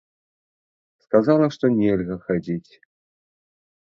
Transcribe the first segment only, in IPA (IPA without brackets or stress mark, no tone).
s